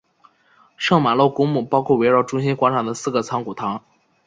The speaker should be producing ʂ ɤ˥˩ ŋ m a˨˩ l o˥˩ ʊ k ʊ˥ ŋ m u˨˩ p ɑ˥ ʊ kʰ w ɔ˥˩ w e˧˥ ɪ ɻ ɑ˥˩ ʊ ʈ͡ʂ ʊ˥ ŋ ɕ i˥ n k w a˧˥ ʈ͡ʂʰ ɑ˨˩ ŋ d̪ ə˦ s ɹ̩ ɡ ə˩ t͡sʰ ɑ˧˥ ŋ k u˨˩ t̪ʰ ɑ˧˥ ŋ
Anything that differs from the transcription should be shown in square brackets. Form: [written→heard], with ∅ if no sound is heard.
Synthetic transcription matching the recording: ʂ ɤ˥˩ ŋ m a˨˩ l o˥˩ ʊ k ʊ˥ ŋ m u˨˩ p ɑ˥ ʊ kʰ w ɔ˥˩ w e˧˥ ɪ ɻ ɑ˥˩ ʊ ʈ͡ʂ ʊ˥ ŋ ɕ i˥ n k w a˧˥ ʈ͡ʂʰ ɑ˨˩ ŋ d̪ ə˦ s ɹ̩ ɡ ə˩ t͡sʰ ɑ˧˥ ŋ k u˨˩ t̪ʰ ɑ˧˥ ŋ

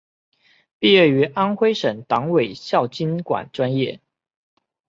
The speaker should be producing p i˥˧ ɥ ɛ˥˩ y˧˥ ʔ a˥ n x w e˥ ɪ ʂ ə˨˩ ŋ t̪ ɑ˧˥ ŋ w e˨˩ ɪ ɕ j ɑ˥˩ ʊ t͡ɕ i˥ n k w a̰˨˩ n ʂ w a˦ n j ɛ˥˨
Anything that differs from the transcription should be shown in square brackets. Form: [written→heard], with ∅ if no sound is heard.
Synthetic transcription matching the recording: p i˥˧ ɥ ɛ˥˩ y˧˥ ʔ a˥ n x w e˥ ɪ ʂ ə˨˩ ŋ t̪ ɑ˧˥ ŋ w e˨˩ ɪ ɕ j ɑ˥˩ ʊ t͡ɕ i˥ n k w a̰˨˩ n [ʂ→ʈ͡ʂ] w a˦ n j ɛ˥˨

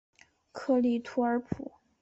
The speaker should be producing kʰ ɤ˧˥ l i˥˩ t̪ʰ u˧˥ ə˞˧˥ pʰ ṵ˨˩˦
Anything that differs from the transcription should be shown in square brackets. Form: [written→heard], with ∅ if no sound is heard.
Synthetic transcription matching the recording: kʰ [ɤ˧˥→ɤ˥˧] l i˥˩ t̪ʰ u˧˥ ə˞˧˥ pʰ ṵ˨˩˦

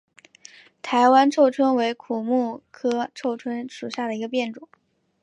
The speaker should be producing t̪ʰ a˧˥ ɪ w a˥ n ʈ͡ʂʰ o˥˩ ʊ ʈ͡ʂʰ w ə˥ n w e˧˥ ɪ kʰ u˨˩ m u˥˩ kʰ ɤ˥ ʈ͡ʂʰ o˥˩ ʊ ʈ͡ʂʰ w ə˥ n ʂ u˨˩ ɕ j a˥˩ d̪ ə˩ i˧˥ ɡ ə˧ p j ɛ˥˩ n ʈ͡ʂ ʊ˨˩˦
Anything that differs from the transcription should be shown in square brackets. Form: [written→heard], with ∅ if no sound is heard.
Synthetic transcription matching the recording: t̪ʰ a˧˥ ɪ w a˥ n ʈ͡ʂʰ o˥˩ ʊ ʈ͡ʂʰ w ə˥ n w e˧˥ ɪ kʰ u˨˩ m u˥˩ kʰ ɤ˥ ʈ͡ʂʰ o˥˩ ʊ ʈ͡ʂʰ w ə˥ n ʂ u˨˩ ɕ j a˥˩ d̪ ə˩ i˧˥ ɡ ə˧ p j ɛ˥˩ n ʈ͡ʂ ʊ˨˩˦

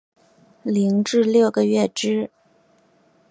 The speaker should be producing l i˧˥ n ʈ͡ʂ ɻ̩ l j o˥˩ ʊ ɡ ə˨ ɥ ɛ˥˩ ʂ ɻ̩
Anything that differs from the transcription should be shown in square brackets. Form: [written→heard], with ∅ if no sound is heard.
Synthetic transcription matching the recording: l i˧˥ [n→ŋ] ʈ͡ʂ ɻ̩ l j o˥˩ ʊ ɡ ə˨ ɥ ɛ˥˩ [ʂ→ʈ͡ʂ] ɻ̩

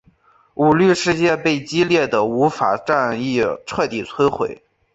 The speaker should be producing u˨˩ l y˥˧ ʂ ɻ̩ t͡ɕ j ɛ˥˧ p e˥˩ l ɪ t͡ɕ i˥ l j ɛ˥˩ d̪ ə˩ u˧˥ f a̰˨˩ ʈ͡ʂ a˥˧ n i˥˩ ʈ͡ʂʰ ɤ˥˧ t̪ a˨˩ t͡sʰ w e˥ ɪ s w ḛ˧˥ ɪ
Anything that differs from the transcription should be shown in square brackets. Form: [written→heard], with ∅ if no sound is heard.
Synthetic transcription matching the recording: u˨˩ l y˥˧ ʂ ɻ̩ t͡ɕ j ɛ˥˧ p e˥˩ [l→∅] ɪ t͡ɕ i˥ l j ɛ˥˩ d̪ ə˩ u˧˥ f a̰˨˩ ʈ͡ʂ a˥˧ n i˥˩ ʈ͡ʂʰ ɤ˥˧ t̪ [a˨˩→i˨˩] t͡sʰ w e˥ ɪ [s→x] w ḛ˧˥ ɪ

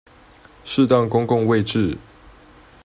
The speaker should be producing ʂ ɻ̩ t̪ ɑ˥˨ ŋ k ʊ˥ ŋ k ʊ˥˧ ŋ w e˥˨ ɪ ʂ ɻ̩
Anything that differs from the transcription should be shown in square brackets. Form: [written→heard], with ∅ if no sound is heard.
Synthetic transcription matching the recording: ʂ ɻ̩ t̪ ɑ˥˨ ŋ k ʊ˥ ŋ k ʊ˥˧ ŋ w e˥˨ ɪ [ʂ→ʈ͡ʂ] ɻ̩

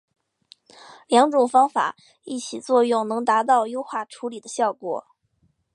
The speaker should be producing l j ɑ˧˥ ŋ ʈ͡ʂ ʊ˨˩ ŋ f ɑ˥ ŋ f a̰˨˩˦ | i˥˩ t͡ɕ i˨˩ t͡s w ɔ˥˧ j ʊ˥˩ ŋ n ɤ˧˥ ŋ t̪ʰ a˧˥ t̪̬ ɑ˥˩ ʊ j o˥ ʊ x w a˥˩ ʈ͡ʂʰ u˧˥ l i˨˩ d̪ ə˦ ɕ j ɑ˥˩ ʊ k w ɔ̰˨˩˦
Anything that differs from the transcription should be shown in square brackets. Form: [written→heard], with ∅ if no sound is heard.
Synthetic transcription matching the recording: l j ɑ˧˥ ŋ ʈ͡ʂ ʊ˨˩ ŋ f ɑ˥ ŋ f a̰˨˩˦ | i˥˩ [t͡ɕ→t͡ɕʰ] i˨˩ t͡s w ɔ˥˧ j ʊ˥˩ ŋ n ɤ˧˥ ŋ [t̪ʰ→t̪] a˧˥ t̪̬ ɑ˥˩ ʊ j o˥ ʊ x w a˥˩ ʈ͡ʂʰ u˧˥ l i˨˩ d̪ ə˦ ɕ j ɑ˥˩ ʊ k w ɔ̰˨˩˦

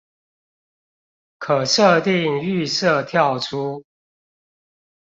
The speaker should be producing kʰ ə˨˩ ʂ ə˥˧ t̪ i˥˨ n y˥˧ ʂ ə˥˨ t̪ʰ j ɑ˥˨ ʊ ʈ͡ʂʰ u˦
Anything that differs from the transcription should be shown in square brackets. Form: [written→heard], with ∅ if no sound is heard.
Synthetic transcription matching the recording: kʰ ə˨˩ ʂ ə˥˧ t̪ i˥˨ [n→ŋ] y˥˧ [ʂ→s] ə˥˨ t̪ʰ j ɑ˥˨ ʊ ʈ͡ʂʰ u˦

